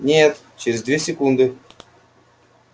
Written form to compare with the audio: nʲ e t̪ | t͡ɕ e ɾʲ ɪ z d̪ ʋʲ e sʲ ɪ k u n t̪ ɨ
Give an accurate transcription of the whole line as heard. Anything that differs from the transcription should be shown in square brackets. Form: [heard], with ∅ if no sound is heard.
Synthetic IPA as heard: nʲ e t̪ | t͡ɕ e ɾʲ ɪ z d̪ [vʲ] e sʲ ɪ k u n [d̪] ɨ